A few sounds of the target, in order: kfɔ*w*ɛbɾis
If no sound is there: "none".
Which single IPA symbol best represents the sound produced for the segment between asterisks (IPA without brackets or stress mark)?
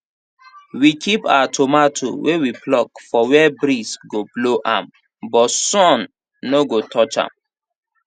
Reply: w